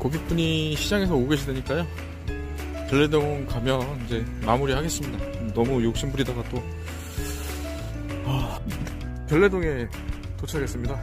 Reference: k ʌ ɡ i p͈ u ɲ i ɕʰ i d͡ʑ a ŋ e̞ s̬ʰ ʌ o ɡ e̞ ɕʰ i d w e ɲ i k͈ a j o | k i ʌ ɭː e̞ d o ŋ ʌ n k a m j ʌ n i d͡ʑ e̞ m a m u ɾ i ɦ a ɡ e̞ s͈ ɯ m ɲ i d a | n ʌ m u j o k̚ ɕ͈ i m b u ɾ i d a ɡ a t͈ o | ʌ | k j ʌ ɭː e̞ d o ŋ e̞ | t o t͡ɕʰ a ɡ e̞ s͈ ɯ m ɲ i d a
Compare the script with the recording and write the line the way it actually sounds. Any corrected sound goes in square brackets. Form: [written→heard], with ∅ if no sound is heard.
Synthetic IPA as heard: k ʌ ɡ i p͈ u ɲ i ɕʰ i d͡ʑ a ŋ e̞ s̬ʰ ʌ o ɡ e̞ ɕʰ i d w e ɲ i k͈ a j o | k [i→j] ʌ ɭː e̞ d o ŋ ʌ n k a m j ʌ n i d͡ʑ e̞ m a m u ɾ i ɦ a ɡ e̞ s͈ ɯ m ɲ i d a | n ʌ m u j o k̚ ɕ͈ i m b u ɾ i d a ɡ a t͈ o | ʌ | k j ʌ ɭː e̞ d o ŋ e̞ | t o t͡ɕʰ a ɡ e̞ s͈ ɯ m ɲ i d a